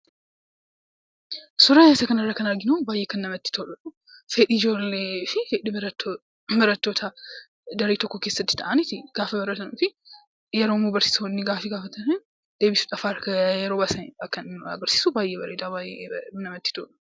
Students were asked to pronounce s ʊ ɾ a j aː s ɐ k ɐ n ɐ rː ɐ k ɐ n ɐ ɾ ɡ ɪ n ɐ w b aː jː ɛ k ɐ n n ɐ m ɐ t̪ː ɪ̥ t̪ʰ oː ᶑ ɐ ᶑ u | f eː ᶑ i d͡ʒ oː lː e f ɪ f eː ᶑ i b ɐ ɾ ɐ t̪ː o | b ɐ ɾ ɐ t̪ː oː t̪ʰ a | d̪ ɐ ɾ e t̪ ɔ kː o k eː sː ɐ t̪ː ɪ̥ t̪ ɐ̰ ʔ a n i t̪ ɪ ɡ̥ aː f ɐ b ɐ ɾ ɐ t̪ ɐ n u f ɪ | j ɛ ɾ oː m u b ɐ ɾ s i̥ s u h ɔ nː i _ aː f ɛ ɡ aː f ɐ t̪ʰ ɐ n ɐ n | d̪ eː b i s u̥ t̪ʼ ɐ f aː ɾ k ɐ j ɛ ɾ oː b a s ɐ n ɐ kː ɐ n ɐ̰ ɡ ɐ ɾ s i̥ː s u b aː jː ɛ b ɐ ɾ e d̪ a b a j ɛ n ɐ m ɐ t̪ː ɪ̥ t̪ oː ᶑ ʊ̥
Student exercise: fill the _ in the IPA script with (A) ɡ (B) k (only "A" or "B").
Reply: A